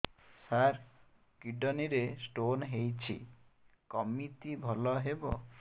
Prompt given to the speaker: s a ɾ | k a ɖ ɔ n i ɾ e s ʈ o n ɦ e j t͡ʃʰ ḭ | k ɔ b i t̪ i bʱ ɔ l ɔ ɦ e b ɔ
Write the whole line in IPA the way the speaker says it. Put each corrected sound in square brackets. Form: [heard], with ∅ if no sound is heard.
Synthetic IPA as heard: s a ɾ | k [i] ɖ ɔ n i ɾ e s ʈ o n ɦ e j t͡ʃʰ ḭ | k ɔ [m] i t̪ i bʱ ɔ l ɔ ɦ e b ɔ

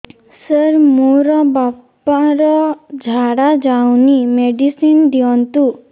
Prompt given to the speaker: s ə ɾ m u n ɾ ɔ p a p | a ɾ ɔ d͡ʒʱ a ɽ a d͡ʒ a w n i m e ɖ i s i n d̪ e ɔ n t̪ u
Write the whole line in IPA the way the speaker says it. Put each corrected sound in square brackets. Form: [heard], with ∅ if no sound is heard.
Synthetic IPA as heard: s ə ɾ m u [∅] ɾ ɔ [b] a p | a ɾ ɔ d͡ʒʱ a ɽ a d͡ʒ a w n i m e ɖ i s i n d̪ [i] ɔ n t̪ u

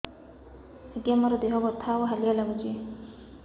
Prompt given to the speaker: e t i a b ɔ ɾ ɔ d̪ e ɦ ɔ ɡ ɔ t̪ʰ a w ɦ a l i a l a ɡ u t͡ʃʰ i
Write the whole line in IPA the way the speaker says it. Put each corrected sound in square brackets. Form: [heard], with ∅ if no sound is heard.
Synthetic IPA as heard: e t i a [m] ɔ ɾ ɔ d̪ e ɦ ɔ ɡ ɔ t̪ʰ a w ɦ a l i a l a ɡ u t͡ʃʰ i

